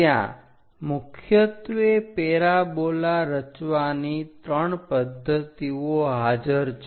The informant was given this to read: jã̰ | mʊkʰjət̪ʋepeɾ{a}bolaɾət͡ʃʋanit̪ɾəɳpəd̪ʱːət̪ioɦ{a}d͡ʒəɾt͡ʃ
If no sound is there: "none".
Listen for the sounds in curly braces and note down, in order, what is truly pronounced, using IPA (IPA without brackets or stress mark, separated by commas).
a, a